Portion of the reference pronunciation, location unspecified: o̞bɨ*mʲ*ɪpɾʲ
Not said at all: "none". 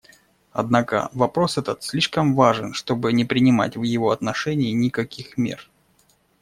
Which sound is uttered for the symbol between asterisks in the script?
nʲ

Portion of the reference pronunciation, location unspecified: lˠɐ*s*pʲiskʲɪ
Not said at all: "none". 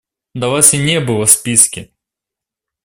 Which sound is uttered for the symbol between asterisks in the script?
s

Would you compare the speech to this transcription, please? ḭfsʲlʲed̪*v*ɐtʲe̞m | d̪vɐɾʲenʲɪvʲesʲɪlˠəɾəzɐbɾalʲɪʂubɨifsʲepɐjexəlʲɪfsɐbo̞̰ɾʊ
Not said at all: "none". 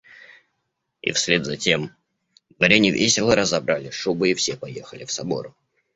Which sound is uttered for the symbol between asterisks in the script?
z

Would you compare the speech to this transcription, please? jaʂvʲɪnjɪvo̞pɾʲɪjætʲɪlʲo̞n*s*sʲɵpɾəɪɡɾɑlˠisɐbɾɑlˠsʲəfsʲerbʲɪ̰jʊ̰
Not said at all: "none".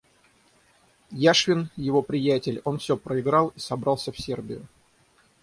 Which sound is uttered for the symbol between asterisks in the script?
f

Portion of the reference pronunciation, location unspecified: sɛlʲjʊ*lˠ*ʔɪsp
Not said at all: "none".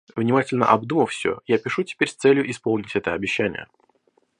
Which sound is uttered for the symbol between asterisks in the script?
none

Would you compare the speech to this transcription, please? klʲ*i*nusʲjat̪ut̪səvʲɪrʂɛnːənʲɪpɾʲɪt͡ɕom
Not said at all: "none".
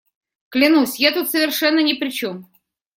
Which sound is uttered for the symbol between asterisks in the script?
ɪ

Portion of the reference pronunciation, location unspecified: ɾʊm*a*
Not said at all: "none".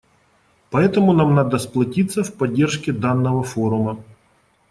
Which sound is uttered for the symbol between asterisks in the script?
ɐ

